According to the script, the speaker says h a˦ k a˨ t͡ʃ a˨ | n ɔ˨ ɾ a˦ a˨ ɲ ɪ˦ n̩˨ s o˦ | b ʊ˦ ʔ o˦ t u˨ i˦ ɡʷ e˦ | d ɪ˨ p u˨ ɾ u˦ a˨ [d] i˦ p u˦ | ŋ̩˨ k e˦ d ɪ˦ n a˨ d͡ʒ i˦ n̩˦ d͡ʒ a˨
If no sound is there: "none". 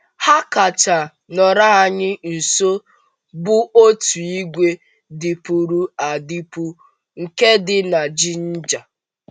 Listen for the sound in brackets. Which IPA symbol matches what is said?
d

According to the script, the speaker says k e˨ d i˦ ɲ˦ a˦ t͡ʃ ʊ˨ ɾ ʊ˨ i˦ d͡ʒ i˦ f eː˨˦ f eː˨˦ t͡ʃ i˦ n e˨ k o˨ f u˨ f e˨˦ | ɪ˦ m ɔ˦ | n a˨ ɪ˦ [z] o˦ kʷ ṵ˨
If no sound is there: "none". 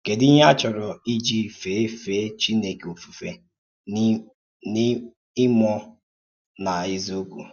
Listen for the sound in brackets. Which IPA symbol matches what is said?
z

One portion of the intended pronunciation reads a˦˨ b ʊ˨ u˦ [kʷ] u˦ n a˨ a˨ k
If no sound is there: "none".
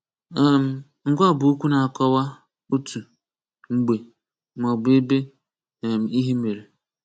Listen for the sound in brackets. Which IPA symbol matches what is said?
kʷ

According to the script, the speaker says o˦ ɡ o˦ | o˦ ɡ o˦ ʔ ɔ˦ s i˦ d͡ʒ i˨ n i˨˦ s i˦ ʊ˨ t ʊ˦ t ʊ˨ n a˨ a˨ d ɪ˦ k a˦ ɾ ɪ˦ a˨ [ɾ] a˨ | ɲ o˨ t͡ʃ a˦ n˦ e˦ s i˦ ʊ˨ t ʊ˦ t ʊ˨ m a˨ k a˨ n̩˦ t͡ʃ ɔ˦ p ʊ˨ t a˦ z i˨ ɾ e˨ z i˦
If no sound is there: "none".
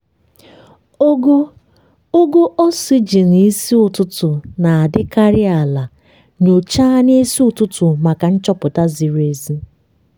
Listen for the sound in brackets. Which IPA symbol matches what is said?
l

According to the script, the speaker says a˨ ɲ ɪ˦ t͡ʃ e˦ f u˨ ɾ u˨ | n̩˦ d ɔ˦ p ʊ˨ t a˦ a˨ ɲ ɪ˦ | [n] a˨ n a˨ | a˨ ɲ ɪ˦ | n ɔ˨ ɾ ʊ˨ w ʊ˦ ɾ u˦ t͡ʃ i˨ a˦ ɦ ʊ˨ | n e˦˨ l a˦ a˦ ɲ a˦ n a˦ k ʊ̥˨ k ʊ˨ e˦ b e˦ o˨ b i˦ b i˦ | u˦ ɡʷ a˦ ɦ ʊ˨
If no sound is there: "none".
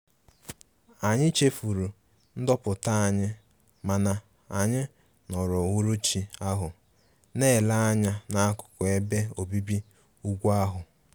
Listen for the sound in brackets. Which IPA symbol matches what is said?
m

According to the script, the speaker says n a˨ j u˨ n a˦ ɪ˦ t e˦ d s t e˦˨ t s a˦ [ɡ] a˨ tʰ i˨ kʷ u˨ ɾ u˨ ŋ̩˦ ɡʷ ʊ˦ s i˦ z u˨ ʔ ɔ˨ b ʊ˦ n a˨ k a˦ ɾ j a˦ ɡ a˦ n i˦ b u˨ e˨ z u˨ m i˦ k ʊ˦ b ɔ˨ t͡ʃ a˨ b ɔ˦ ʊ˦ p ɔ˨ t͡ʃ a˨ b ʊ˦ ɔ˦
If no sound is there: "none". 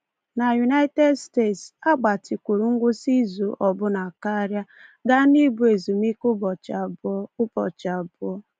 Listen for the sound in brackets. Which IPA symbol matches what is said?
ɡ͡b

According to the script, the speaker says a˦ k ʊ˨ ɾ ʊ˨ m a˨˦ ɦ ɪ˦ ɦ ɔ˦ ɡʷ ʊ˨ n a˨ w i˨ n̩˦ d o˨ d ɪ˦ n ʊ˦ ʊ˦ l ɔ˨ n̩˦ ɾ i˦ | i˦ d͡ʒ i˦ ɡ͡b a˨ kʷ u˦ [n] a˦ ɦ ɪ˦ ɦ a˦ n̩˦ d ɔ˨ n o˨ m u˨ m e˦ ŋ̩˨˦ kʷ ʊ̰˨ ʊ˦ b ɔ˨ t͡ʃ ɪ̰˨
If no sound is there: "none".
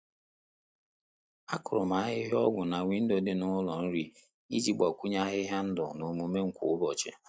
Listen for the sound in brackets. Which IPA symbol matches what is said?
ɲ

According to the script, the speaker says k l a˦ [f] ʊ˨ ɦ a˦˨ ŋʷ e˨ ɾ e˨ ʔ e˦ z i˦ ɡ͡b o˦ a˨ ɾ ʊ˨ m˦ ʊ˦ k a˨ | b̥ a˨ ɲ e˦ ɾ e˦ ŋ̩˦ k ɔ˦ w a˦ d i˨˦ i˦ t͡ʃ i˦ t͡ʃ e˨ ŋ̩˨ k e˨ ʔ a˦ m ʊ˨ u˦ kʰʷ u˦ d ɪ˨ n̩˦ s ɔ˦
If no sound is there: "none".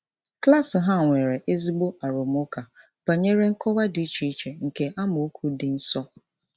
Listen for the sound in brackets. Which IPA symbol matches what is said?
s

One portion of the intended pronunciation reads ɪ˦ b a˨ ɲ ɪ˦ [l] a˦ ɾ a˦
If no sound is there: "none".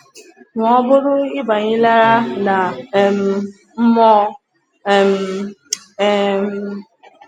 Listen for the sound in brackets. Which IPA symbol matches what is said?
l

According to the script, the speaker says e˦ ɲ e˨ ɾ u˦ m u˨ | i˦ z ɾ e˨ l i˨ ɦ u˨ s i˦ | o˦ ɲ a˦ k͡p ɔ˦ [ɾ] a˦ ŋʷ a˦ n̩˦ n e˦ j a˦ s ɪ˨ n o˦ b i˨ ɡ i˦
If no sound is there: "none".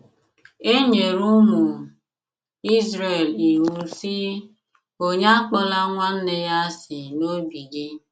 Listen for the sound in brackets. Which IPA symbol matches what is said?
l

